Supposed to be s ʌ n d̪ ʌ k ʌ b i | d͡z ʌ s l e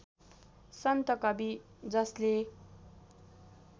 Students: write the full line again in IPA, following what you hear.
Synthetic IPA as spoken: s ʌ n t̪ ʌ k ʌ b i | d͡z ʌ s l e